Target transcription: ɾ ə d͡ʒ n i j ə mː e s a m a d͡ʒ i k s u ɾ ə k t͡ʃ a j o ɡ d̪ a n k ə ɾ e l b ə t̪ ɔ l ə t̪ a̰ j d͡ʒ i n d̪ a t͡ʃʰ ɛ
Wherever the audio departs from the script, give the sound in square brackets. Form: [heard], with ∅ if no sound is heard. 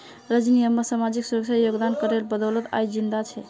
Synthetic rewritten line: ɾ ə d͡ʒ n i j ə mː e s a m a d͡ʒ i k s u ɾ ə k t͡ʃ a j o ɡ d̪ a n k ə ɾ e l b ə [d̪] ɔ l ə t̪ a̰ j d͡ʒ i n d̪ a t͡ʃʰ ɛ